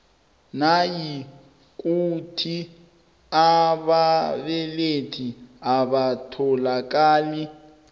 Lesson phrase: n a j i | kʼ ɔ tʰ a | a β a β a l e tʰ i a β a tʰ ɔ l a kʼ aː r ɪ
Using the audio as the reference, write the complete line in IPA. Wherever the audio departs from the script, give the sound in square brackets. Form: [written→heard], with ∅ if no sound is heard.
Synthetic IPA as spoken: n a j i | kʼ [ɔ→u] tʰ [a→i] | a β a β [a→ɛ] l e tʰ i a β a tʰ ɔ l a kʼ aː [r→l] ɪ

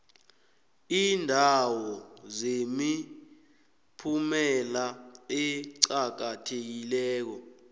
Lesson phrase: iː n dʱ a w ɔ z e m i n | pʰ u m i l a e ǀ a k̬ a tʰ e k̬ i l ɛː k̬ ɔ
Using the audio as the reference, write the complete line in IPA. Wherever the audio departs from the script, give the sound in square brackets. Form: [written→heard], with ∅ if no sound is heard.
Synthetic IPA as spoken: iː n dʱ a w ɔ z e m i [n→∅] | pʰ u m [i→ɛ] l a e ǀ a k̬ a tʰ e k̬ i l ɛː k̬ ɔ

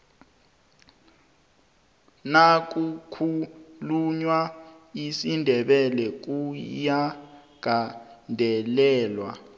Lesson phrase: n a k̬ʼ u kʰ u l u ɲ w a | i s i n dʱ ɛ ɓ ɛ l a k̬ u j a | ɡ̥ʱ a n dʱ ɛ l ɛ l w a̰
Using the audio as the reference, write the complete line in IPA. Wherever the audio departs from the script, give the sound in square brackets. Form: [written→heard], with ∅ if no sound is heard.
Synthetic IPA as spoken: n a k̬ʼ u kʰ u l u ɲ w a | i s i n dʱ ɛ ɓ ɛ l [a→ɛ] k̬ u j a | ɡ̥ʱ a n dʱ ɛ l [ɛ→ɛː] l w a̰

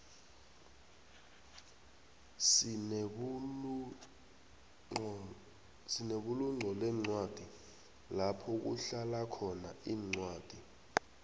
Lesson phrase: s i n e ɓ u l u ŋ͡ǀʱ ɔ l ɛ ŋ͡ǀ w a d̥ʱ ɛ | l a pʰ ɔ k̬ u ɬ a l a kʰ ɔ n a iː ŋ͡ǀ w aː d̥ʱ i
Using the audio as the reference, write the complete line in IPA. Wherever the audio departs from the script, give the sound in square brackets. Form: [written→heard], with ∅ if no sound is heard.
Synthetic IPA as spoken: s i n e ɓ u l u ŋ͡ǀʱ ɔ l ɛ ŋ͡ǀ w a d̥ʱ [ɛ→i] | l a pʰ ɔ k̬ u ɬ a l a kʰ ɔ n a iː ŋ͡ǀ w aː d̥ʱ i

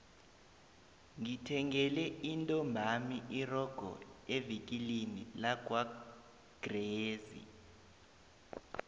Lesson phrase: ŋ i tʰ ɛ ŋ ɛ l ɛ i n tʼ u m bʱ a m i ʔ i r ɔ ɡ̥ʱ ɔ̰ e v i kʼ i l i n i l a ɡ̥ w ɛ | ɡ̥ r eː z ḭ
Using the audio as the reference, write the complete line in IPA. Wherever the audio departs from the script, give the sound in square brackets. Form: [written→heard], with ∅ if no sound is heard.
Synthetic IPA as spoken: ŋ i tʰ ɛ ŋ ɛ l ɛ i n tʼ [u→ɔ] m bʱ a m i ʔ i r ɔ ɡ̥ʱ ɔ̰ e v i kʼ i l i n i l a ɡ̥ w [ɛ→a] | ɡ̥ r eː z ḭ

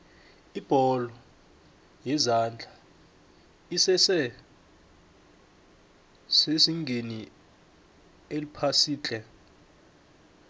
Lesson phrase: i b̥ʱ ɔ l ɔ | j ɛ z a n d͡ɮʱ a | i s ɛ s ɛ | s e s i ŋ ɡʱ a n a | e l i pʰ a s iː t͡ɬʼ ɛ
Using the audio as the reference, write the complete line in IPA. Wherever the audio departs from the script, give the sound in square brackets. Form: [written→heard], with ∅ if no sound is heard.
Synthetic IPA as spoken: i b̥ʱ ɔ l ɔ | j ɛ z a n d͡ɮʱ a | i s ɛ s ɛ | s e s i ŋ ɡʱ [a→e] n [a→i] | e l i pʰ a s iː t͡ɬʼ ɛ

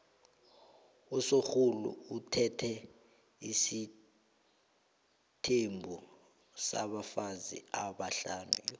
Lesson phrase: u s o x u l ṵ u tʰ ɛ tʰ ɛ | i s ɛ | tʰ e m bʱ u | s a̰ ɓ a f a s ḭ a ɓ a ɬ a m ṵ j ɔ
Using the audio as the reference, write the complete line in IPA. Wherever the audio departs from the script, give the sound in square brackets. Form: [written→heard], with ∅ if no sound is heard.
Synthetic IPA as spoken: u s o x u l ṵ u tʰ ɛ tʰ ɛ | i s [ɛ→i] | tʰ e m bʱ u | s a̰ ɓ a f a [s→z] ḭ a ɓ a ɬ a [m→n] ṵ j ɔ

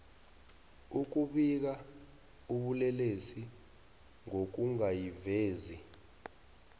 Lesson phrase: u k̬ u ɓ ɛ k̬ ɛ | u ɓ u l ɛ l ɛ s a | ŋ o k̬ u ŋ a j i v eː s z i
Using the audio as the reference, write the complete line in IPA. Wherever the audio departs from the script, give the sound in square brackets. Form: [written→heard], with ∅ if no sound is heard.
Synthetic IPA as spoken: u k̬ u ɓ [ɛ→i] k̬ [ɛ→a] | u ɓ u l ɛ l [ɛ→e] s [a→i] | ŋ o k̬ u ŋ a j i v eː [s→∅] z i

